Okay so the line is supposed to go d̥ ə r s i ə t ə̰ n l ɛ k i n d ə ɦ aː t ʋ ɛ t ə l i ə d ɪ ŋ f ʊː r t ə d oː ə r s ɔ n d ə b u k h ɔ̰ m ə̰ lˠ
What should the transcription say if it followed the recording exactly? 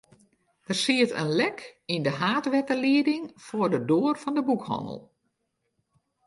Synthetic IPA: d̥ ə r s i ə t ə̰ n l ɛ k i n d ə ɦ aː t ʋ ɛ t ə l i ə d ɪ ŋ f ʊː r d ə d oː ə r f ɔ n d ə b u k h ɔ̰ n ə̰ lˠ